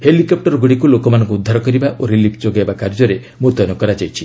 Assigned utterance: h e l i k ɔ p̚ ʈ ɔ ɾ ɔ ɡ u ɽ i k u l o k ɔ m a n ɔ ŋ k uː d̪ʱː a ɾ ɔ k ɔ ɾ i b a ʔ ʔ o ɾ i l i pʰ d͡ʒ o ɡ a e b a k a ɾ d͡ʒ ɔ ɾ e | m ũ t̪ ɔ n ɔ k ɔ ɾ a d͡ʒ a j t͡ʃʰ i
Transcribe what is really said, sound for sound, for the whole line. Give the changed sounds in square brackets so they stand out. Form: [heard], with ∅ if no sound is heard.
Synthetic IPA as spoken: h e l i k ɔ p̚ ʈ ɔ ɾ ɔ ɡ u ɽ i k u l o k ɔ m a n ɔ ŋ k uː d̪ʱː a ɾ ɔ k ɔ ɾ i b a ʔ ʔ o ɾ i l i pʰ d͡ʒ o ɡ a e b a k a ɾ d͡ʒ ɔ ɾ e | m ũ t̪ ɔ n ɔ k ɔ ɾ a d͡ʒ a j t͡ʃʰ i

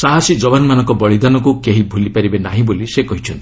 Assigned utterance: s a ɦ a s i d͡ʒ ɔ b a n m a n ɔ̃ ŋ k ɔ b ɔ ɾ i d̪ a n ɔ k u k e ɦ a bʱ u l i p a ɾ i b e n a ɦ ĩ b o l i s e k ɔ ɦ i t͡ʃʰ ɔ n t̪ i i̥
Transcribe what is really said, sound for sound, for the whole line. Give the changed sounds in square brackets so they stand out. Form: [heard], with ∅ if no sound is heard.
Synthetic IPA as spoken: s a ɦ a s i d͡ʒ ɔ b a n m a n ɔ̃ ŋ k ɔ b ɔ [ɭ] i d̪ a n ɔ k u k e ɦ [i] bʱ u l i p a ɾ i b e n a ɦ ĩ b o l i s e k ɔ ɦ i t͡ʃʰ ɔ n t̪ i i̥

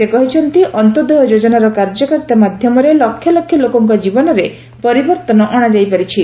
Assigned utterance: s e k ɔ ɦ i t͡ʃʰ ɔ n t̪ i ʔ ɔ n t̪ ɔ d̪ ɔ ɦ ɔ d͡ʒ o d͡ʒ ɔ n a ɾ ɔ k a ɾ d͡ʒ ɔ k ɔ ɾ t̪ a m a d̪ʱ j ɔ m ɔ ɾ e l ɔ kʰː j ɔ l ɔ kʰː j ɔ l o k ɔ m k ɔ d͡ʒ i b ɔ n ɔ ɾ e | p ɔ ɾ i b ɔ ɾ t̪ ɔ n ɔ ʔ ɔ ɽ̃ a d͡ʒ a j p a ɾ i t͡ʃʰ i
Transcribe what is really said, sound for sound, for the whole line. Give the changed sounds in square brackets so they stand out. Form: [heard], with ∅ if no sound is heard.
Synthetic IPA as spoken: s e k ɔ ɦ i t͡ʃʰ ɔ n t̪ i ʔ ɔ n t̪ ɔ d̪ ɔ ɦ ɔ d͡ʒ o d͡ʒ ɔ n a ɾ ɔ k a ɾ d͡ʒ ɔ k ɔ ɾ t̪ a m a d̪ʱ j ɔ m ɔ ɾ e l ɔ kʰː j ɔ l ɔ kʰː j ɔ l o k ɔ [ŋ] k ɔ d͡ʒ i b ɔ n ɔ ɾ e | p ɔ ɾ i b ɔ ɾ t̪ ɔ n ɔ ʔ ɔ ɽ̃ a d͡ʒ a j p a ɾ i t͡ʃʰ i

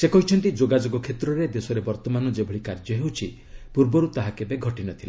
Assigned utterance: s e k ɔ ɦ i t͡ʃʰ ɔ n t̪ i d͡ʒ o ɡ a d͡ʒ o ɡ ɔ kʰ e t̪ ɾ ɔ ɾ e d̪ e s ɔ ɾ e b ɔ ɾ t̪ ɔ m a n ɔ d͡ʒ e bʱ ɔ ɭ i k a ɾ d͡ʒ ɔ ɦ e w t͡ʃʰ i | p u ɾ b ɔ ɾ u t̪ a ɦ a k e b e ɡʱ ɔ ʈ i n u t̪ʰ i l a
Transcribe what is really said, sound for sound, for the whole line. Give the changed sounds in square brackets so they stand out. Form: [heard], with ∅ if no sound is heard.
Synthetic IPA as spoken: s e k ɔ ɦ i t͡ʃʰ ɔ n t̪ i d͡ʒ o ɡ a d͡ʒ o ɡ ɔ kʰ e t̪ ɾ ɔ ɾ e d̪ e s ɔ ɾ e b ɔ ɾ t̪ ɔ m a n ɔ d͡ʒ e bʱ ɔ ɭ i k a ɾ d͡ʒ ɔ ɦ e w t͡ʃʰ i | p u ɾ b ɔ ɾ u t̪ a ɦ a k e b e ɡʱ ɔ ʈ i n [ɔ] t̪ʰ i l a

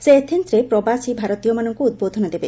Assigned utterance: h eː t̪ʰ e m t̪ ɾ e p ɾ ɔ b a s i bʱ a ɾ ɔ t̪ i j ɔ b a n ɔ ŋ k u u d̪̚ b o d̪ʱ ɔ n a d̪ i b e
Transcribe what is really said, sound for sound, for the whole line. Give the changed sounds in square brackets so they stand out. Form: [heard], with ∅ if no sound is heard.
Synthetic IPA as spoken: [s] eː t̪ʰ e [n] t̪ ɾ e p ɾ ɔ b a s i bʱ a ɾ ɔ t̪ i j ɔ [m] a n ɔ ŋ k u u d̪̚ b o d̪ʱ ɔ n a d̪ [e] b e

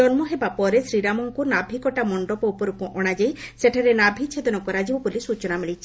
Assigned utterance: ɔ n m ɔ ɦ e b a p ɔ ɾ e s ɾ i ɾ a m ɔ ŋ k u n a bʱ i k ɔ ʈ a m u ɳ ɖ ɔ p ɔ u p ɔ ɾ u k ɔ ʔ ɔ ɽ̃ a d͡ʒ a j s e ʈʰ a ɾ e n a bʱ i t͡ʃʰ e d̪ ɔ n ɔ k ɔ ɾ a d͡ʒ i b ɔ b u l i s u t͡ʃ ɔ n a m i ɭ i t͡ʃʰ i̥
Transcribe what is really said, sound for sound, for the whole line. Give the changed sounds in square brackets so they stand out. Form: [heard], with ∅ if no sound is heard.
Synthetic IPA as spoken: ɔ n m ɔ ɦ e b a p ɔ ɾ e s ɾ i ɾ a m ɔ ŋ k u n a bʱ i k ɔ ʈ a m [ɔ] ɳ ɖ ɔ p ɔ u p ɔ ɾ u k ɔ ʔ ɔ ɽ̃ a d͡ʒ a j s e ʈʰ a ɾ e n a bʱ i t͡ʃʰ e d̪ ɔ n ɔ k ɔ ɾ a d͡ʒ i b ɔ b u l i s u t͡ʃ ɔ n a m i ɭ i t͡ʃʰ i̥

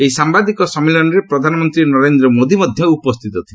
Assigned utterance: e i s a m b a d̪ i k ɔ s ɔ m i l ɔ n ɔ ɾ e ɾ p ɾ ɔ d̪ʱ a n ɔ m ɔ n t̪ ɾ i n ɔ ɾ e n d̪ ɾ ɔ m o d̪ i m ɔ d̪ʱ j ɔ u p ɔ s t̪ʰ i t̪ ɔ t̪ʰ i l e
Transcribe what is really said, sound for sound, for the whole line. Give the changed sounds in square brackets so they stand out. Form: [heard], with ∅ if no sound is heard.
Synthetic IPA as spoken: e i s a m b a d̪ i k ɔ s ɔ m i l ɔ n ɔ ɾ e [∅] p ɾ ɔ d̪ʱ a n ɔ m ɔ n t̪ ɾ i n ɔ ɾ e n d̪ ɾ ɔ m o d̪ i m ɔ d̪ʱ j ɔ u p ɔ s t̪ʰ i t̪ ɔ t̪ʰ i l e

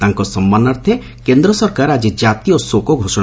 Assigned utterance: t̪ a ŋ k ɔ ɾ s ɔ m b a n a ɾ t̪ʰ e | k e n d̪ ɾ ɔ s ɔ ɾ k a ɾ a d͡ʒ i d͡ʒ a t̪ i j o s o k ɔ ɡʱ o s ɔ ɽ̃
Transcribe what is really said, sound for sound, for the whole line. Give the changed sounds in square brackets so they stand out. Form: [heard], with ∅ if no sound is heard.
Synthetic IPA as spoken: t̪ a ŋ k ɔ [∅] s ɔ m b a n a ɾ t̪ʰ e | k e n d̪ ɾ ɔ s ɔ ɾ k a ɾ a d͡ʒ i d͡ʒ a t̪ i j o s o k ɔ ɡʱ o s ɔ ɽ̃

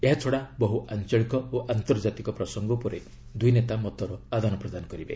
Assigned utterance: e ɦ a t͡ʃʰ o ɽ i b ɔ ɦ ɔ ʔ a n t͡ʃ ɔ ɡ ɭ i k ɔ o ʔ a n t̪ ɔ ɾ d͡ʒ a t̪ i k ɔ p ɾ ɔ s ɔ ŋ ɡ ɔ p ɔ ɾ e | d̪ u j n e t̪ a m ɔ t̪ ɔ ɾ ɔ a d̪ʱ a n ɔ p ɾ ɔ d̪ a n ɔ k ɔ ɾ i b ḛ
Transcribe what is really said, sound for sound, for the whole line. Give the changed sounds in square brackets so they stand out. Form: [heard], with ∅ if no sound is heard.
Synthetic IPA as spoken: e ɦ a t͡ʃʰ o ɽ [a] b ɔ ɦ [u] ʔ a n t͡ʃ ɔ [∅] ɭ i k ɔ o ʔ a n t̪ ɔ ɾ d͡ʒ a t̪ i k ɔ p ɾ ɔ s ɔ ŋ ɡ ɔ p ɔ ɾ e | d̪ u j n e t̪ a m ɔ t̪ ɔ ɾ ɔ a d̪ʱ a n ɔ p ɾ ɔ d̪ a n ɔ k ɔ ɾ i b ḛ

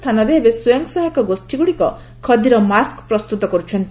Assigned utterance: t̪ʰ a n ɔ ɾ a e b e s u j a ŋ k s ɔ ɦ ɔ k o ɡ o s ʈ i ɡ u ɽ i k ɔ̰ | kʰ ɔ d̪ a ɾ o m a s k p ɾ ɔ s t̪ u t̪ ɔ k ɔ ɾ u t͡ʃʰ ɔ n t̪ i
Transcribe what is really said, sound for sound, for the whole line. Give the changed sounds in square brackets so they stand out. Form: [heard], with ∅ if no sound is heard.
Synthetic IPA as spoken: t̪ʰ a n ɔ ɾ [e] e b e s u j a ŋ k s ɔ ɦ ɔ k [ɔ] ɡ o s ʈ i ɡ u ɽ i k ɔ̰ | kʰ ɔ d̪ [i] ɾ [ɔ] m a s k p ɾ ɔ s t̪ u t̪ ɔ k ɔ ɾ u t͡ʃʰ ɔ n t̪ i

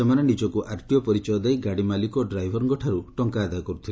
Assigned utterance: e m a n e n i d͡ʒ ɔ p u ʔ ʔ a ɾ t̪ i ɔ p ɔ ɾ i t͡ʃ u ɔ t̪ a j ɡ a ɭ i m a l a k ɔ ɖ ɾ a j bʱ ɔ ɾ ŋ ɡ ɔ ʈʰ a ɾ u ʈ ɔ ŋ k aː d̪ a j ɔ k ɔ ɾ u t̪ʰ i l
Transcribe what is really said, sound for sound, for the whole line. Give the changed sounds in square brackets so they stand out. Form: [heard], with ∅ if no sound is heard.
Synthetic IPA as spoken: e m a n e n i d͡ʒ ɔ [k] u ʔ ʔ a ɾ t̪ i ɔ p ɔ ɾ i t͡ʃ [ɔ] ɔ [d̪] a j ɡ a [ɽ] i m a l [i] k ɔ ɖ ɾ a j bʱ ɔ ɾ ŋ ɡ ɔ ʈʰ a ɾ u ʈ ɔ ŋ k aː d̪ a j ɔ k ɔ ɾ u t̪ʰ i l

